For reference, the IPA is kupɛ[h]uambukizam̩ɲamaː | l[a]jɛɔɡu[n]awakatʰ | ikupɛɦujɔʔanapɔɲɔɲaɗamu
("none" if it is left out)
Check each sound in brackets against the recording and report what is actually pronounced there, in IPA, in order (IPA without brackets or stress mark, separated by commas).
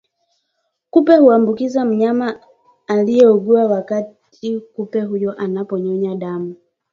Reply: h, i, none